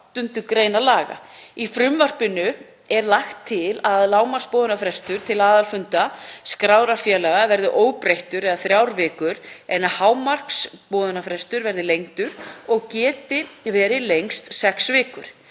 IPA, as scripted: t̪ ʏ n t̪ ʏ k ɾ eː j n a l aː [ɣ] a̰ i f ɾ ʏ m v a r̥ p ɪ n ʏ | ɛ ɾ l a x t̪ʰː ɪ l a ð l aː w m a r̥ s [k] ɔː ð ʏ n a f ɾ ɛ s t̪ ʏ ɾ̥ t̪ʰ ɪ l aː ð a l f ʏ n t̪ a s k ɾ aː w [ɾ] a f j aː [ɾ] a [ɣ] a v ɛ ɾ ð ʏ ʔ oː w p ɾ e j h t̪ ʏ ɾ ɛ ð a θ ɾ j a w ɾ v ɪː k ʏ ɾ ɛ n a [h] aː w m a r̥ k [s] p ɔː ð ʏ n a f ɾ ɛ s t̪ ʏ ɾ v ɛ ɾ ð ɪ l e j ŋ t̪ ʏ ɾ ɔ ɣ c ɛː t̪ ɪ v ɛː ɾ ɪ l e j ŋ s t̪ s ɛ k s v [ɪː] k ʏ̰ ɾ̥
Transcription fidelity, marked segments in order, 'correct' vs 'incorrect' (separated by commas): correct, incorrect, correct, incorrect, correct, correct, correct, correct